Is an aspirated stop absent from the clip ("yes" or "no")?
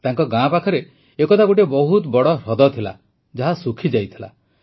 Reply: no